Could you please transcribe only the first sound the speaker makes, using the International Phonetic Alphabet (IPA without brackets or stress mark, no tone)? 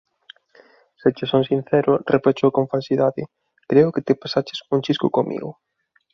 s